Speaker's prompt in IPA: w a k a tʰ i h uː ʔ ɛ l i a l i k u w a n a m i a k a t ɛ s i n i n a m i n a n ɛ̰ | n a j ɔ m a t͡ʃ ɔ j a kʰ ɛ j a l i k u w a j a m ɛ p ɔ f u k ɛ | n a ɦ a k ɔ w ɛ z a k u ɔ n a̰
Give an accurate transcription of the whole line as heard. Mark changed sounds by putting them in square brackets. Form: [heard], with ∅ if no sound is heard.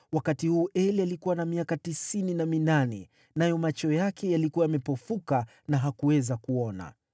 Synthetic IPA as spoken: w a k a [t] i h uː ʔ ɛ l i a l i k u w a n a m i a k a t [i] s i n i n a m i n a n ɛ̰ | n a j ɔ m a t͡ʃ ɔ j a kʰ ɛ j a l i k u w a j a m ɛ p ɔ f u k [a] | n a ɦ a k [u] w ɛ z a k u ɔ n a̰

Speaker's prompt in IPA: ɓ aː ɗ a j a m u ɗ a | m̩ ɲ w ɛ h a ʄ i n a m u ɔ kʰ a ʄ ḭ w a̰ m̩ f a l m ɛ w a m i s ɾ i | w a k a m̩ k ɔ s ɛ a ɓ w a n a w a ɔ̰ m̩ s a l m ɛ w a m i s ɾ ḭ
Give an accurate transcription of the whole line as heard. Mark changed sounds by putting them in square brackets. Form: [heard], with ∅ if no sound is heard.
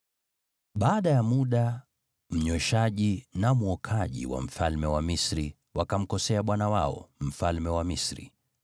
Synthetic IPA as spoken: ɓ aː ɗ a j a m u ɗ a | m̩ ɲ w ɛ [ʃ] a ʄ i n a m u ɔ kʰ a ʄ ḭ w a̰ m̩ f a l m ɛ w a m i s ɾ i | w a k a m̩ k ɔ s ɛ a ɓ w a n a w a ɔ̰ m̩ [f] a l m ɛ w a m i s ɾ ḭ

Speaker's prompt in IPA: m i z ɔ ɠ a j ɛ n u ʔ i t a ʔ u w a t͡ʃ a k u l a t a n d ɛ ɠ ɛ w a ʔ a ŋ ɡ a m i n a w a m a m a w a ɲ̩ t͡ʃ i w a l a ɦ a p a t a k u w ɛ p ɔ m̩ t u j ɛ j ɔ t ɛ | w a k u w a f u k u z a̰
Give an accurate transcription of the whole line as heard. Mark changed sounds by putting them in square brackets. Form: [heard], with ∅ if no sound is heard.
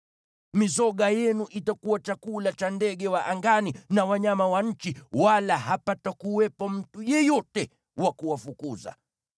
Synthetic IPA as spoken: m i z ɔ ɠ a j ɛ n u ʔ i t a [k] u w a t͡ʃ a k u l a [t͡ʃ] a n d ɛ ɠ ɛ w a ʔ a ŋ ɡ a [n] i n a w a [ɲ] a m a w a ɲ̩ t͡ʃ i w a l a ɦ a p a t a k u w ɛ p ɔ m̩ t u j ɛ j ɔ t ɛ | w a k u w a f u k u z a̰

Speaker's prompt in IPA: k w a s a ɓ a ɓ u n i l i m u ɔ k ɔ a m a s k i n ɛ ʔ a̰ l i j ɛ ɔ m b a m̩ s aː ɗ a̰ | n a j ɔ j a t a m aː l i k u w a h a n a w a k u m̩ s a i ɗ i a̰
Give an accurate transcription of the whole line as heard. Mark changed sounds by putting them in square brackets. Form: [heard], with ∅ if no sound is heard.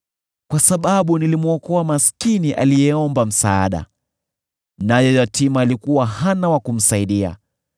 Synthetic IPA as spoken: k w a s a ɓ a ɓ u n i l i m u ɔ k ɔ a m a s k i n [i] ʔ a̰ l i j ɛ ɔ m b a m̩ s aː ɗ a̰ | n a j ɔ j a t [i] m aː l i k u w a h a n a w a k u m̩ s a i ɗ i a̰

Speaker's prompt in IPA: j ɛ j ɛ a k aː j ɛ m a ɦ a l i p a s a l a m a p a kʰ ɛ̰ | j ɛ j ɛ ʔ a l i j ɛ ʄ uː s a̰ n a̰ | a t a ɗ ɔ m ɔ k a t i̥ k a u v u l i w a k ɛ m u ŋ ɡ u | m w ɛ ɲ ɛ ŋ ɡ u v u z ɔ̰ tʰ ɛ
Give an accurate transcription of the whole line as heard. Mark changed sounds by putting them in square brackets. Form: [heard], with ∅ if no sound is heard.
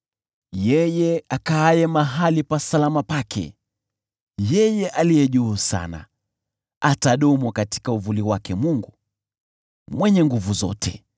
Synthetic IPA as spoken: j ɛ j ɛ a k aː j ɛ m a ɦ a l i p a s a l a m a p a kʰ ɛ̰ | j ɛ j ɛ ʔ a l i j ɛ ʄ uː s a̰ n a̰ | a t a ɗ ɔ m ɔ k a t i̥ k a u v u l i w a k ɛ m u ŋ ɡ u | m w ɛ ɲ ɛ ŋ ɡ u v u z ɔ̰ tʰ ɛ

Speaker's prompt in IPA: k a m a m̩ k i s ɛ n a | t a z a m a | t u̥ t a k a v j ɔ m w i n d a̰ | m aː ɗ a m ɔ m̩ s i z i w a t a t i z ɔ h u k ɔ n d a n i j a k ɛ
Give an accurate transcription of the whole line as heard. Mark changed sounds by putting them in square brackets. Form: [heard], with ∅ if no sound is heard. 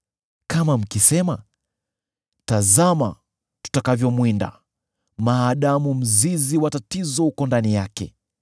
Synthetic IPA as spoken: k a m a m̩ k i s ɛ [m] a | t a z a m a | t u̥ t a k a v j ɔ m w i n d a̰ | m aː ɗ a m [u] m̩ [z] i z i w a t a t i z ɔ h u k ɔ n d a n i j a k ɛ

